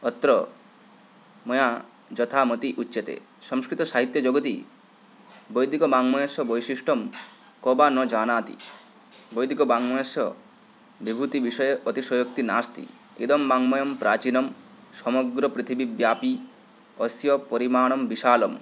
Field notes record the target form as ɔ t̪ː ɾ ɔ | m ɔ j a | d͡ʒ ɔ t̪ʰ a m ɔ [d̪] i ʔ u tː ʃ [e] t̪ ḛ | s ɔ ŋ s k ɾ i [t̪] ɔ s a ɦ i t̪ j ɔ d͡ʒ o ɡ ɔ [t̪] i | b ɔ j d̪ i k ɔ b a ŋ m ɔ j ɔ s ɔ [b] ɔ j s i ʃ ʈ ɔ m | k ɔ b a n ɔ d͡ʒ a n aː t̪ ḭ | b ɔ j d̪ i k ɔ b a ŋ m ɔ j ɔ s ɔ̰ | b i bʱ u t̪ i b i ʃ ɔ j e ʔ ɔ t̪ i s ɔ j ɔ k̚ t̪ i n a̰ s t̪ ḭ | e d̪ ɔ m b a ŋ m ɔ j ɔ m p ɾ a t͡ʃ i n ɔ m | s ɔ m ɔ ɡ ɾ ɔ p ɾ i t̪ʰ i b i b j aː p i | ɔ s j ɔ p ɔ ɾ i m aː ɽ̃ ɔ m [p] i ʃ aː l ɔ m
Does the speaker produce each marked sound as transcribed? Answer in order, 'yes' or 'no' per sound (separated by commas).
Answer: no, yes, yes, yes, yes, no